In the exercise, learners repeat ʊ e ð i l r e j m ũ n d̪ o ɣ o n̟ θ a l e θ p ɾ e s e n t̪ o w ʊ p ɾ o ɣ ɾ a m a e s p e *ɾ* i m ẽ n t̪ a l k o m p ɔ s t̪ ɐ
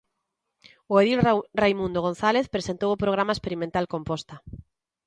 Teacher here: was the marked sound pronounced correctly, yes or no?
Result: yes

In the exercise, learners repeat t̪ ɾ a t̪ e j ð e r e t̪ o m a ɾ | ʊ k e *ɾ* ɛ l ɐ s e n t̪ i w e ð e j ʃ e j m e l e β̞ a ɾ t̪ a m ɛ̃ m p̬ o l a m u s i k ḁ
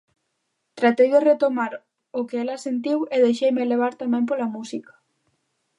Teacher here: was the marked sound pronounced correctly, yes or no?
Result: no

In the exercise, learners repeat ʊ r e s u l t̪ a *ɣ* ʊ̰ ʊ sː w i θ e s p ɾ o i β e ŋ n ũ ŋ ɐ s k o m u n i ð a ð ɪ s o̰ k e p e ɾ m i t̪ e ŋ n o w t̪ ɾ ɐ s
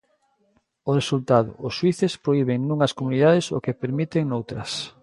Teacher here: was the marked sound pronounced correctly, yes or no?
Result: no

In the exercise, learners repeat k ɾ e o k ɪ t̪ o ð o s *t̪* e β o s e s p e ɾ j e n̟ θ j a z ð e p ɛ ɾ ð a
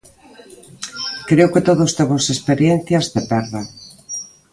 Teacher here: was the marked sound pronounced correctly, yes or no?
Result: yes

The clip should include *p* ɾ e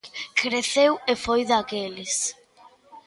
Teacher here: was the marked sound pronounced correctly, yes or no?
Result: no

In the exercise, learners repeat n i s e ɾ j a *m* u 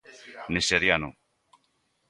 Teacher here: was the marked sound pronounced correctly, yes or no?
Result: no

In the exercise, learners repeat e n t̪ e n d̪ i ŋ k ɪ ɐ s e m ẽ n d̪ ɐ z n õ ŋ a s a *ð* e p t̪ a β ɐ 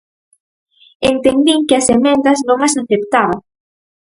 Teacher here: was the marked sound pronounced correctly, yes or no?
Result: no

